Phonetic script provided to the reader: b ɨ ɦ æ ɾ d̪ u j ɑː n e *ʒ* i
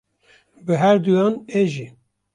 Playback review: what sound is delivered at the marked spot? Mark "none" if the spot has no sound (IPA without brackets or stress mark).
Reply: ʒ